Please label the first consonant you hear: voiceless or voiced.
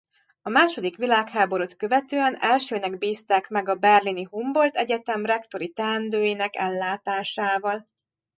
voiced